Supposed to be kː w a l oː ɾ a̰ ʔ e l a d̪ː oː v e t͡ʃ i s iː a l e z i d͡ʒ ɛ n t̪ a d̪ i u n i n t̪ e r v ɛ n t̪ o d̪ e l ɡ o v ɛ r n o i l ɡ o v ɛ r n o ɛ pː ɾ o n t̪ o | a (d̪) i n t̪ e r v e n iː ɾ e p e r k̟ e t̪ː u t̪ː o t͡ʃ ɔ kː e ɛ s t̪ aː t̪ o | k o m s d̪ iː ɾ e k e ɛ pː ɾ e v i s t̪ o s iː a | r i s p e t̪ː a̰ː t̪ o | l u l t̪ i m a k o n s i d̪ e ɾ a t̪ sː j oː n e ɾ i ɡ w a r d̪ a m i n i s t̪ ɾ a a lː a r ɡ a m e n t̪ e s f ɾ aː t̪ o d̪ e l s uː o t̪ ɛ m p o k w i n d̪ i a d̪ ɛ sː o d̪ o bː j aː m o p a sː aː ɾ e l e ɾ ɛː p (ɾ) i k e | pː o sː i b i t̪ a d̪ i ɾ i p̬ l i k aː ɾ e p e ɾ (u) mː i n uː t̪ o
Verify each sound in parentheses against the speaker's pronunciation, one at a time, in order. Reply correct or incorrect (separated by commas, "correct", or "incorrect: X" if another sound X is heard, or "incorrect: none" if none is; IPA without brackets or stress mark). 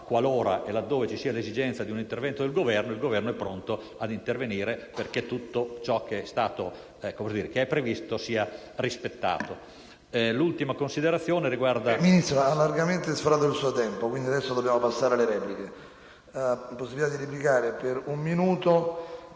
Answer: correct, incorrect: l, correct